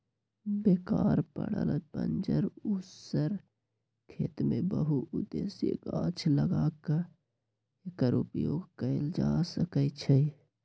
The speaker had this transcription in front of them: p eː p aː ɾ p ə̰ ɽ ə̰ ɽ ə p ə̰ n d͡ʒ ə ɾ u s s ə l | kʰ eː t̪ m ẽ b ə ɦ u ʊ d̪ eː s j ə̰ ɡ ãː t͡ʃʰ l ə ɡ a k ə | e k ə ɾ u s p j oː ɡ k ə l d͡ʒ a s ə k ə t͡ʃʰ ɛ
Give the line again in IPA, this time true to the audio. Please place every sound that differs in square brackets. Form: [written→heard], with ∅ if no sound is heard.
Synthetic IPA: [p→b] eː [p→k] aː ɾ p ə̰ ɽ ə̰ [ɽ→l] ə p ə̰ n d͡ʒ ə ɾ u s s ə [l→ɾ] | kʰ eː t̪ m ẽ b ə ɦ u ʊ d̪ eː s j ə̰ ɡ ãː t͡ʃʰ l ə ɡ a k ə | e k ə ɾ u [s→∅] p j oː ɡ k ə l d͡ʒ a s ə k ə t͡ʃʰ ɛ